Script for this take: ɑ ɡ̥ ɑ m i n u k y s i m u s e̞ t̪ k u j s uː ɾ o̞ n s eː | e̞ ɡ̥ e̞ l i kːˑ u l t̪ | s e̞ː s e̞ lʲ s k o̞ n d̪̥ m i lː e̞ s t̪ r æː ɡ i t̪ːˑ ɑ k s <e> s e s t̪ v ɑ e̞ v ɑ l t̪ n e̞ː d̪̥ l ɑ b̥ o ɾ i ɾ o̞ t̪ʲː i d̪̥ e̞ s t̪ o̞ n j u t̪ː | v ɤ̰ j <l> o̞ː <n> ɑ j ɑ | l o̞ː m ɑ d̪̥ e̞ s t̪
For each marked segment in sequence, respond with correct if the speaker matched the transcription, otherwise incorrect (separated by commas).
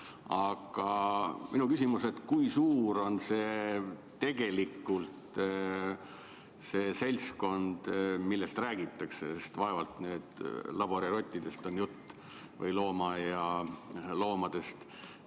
correct, correct, incorrect